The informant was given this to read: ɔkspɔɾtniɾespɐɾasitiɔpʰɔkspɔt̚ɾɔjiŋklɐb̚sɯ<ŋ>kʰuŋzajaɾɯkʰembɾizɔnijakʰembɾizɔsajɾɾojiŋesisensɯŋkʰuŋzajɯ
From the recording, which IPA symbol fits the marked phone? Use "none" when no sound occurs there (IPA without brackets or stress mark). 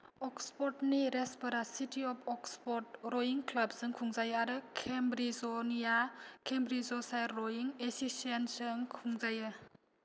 ŋ